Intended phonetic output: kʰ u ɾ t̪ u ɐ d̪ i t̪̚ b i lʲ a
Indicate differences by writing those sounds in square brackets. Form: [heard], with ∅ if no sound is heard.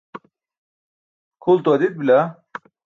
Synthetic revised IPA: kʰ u [l] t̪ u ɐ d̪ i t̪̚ b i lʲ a